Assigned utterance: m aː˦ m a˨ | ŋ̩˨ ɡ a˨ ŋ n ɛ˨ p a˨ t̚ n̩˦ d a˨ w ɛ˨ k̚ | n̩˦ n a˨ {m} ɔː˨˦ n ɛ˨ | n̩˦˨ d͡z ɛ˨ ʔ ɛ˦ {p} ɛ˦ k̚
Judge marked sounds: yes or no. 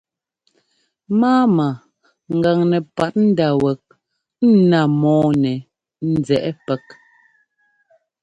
yes, yes

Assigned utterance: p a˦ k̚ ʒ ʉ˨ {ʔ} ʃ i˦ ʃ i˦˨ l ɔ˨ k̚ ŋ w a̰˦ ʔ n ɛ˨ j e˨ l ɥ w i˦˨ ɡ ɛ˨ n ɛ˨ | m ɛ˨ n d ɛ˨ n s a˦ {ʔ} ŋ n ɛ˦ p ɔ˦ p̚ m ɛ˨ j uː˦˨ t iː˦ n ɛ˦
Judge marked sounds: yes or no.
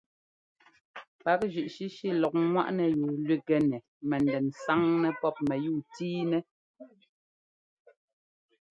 yes, no

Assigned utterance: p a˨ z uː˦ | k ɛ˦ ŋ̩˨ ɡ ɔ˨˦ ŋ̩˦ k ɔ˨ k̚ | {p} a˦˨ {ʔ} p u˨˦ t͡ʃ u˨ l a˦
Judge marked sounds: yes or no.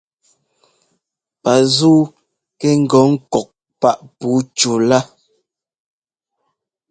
yes, yes

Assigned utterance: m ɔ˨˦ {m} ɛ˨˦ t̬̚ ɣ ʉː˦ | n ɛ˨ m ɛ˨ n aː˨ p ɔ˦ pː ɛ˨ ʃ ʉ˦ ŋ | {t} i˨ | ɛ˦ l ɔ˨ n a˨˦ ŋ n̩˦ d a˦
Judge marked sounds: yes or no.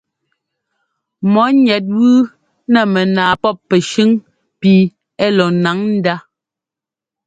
no, no

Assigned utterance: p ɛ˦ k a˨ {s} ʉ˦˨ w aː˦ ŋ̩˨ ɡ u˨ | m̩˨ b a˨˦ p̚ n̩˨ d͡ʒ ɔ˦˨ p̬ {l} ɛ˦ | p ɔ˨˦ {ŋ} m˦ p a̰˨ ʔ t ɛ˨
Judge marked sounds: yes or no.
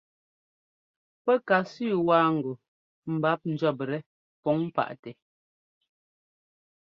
yes, no, yes

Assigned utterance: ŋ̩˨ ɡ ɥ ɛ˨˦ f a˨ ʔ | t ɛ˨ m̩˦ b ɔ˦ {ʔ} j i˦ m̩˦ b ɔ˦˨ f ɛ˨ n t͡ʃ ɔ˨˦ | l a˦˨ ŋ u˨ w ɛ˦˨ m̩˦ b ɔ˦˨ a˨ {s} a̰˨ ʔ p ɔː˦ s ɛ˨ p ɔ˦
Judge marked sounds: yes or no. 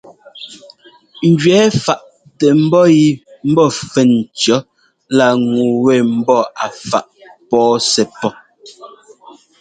no, no

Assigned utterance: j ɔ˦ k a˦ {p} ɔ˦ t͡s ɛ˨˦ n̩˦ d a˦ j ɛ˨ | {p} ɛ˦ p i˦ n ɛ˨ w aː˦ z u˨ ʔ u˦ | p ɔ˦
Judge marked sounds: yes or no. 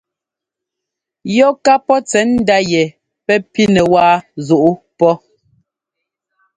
yes, yes

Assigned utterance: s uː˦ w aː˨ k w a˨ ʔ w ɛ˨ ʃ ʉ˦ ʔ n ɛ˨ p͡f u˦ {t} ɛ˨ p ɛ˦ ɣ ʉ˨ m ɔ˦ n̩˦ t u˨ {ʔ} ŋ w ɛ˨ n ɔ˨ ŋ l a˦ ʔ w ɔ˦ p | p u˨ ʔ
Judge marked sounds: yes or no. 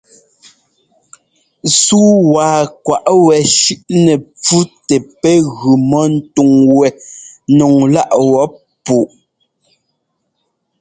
yes, no

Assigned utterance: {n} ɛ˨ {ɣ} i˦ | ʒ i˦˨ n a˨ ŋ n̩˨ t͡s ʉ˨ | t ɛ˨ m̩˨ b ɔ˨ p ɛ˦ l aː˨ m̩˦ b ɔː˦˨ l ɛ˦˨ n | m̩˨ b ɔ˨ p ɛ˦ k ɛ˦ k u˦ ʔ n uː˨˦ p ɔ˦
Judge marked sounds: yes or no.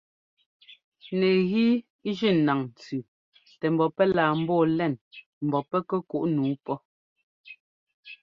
yes, yes

